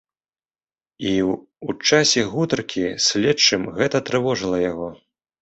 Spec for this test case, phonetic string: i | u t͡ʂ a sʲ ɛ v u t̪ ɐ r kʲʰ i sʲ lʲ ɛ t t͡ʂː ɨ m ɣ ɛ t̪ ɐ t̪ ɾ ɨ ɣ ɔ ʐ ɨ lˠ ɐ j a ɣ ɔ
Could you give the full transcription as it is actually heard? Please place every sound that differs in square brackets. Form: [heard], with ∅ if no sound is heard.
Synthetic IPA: i | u t͡ʂ a sʲ ɛ [ɣ] u t̪ ɐ r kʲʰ i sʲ lʲ ɛ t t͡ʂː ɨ m ɣ ɛ t̪ ɐ t̪ ɾ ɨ [v] ɔ ʐ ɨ lˠ ɐ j a ɣ ɔ